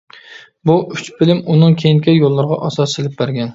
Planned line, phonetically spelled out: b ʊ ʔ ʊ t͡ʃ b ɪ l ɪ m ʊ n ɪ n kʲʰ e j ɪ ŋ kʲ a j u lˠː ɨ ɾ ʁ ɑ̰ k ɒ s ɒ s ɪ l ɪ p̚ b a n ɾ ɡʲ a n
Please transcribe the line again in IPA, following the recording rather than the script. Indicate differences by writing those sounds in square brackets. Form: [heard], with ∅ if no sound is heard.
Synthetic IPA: b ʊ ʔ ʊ t͡ʃ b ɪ l ɪ m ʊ n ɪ [ŋ] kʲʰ e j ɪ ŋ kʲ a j [o] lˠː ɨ ɾ ʁ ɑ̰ [ʔ] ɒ s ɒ s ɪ l ɪ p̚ b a [∅] ɾ ɡʲ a n

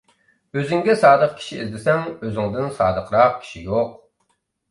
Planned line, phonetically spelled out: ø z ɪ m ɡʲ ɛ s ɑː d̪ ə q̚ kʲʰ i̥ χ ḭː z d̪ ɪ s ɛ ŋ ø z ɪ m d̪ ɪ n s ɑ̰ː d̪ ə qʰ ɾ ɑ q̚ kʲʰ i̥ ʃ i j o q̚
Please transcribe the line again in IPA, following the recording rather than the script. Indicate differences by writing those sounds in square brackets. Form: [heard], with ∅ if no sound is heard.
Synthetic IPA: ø z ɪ [ŋ] ɡʲ ɛ s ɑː d̪ ə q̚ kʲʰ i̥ [ʃ] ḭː z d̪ ɪ s ɛ ŋ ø z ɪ [ŋ] d̪ ɪ n s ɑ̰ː d̪ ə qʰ ɾ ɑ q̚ kʲʰ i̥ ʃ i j o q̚

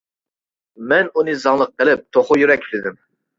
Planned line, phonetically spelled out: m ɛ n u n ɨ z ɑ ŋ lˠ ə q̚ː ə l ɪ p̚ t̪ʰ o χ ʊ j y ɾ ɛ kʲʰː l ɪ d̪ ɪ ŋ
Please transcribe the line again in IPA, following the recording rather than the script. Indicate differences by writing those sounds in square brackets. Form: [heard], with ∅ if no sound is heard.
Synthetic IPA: m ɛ n u n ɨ z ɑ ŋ lˠ ə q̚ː ə l ɪ p̚ t̪ʰ o χ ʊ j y ɾ ɛ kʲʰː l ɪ d̪ ɪ [m]

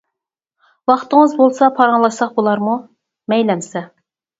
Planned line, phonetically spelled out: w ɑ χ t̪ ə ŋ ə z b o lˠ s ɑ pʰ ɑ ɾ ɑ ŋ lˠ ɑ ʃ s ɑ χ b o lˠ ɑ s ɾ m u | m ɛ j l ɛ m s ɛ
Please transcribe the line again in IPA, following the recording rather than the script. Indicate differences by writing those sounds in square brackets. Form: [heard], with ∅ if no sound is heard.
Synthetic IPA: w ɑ χ t̪ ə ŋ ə z b o lˠ s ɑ pʰ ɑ ɾ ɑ ŋ lˠ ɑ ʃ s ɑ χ b o lˠ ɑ [∅] ɾ m u | m ɛ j l ɛ m s ɛ

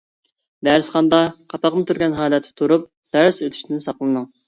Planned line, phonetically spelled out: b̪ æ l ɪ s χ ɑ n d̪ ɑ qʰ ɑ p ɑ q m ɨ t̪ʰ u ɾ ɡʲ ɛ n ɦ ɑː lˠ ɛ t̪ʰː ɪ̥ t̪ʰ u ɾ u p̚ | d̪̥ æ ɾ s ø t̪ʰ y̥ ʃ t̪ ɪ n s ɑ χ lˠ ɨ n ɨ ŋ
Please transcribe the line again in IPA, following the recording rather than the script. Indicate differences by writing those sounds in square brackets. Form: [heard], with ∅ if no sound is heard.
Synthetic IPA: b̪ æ [ɾ] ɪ s χ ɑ n d̪ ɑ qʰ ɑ p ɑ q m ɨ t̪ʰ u ɾ ɡʲ ɛ n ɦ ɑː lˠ ɛ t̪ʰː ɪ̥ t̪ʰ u ɾ u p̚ | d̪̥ æ ɾ s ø t̪ʰ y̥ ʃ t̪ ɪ n s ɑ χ lˠ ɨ n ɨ ŋ

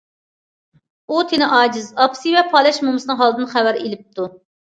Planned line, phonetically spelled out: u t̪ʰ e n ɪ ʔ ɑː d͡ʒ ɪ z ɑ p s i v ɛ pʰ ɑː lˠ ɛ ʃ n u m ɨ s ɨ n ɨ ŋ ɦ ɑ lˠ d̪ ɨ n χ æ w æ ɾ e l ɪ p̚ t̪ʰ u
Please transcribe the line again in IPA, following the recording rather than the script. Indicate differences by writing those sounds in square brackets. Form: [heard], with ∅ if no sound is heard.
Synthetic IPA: u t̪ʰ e n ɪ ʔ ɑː d͡ʒ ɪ z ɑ p s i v ɛ pʰ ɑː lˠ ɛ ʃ [m] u m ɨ s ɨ n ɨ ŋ ɦ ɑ lˠ d̪ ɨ n χ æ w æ ɾ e l ɪ p̚ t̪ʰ u

